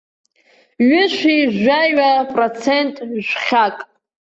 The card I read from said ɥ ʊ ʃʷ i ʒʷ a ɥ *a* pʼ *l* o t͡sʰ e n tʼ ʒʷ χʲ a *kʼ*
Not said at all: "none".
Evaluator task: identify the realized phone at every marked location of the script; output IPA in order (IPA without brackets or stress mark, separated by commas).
a, r, kʼ